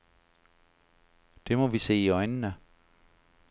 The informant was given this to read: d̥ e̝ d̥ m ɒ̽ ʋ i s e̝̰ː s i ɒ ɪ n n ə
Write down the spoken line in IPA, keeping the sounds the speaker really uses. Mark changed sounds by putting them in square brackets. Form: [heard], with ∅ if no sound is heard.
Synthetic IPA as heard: d̥ e̝ [∅] m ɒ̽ ʋ i s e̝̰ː [∅] i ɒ ɪ n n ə